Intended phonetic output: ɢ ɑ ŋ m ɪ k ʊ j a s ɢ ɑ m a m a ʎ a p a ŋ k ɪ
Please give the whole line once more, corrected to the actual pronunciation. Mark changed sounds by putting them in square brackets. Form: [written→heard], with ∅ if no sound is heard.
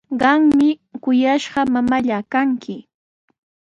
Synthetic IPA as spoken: ɢ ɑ ŋ m ɪ k ʊ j a [s→ʃ] ɢ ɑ m a m a ʎ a [p→k] a ŋ k ɪ